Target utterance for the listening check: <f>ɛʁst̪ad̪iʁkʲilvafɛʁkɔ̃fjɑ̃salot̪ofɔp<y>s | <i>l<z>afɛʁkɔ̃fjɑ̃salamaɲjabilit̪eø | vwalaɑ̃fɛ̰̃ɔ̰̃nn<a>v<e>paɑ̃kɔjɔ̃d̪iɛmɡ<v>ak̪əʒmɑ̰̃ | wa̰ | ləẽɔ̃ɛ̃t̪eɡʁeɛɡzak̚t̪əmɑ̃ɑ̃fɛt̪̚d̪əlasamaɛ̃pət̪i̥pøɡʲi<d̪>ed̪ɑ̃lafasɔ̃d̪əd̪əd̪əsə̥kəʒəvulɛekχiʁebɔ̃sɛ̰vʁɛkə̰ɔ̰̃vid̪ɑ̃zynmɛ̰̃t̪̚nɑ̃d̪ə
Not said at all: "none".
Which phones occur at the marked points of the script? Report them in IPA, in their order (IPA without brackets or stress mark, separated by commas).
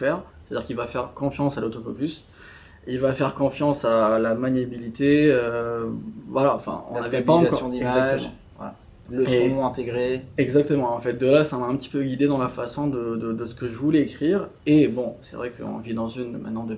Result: f, y, i, v, a, ɛ, z, d̪